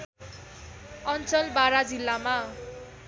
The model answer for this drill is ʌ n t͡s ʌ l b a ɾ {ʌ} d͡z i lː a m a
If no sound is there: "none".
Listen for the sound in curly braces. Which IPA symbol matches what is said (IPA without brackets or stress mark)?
a